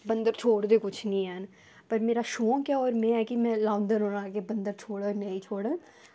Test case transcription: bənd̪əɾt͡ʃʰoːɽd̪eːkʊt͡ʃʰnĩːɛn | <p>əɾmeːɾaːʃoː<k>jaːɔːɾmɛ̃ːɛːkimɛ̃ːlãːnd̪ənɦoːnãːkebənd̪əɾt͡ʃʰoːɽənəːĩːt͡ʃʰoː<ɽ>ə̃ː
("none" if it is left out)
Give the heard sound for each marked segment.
p, k, ɽ

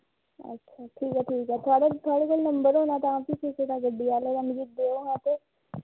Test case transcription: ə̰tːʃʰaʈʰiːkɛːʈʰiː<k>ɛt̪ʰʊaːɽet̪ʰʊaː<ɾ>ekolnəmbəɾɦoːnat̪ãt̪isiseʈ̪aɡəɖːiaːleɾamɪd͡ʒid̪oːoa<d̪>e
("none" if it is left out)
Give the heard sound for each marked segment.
k, ɽ, t̪

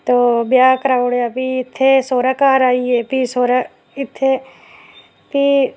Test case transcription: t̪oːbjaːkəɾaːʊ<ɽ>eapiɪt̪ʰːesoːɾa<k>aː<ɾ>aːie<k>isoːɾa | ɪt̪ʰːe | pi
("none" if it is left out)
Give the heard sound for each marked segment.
ɽ, k, ɾ, p

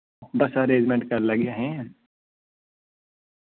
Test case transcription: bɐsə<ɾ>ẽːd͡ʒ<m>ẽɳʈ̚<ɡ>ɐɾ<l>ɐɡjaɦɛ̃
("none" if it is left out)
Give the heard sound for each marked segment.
ɾ, m, k, l

